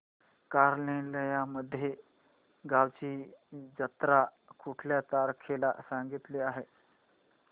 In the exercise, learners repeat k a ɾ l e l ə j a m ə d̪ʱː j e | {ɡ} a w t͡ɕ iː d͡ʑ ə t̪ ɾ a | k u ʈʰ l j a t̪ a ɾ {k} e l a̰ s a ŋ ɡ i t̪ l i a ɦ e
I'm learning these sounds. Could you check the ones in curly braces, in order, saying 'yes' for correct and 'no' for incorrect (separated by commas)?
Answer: yes, no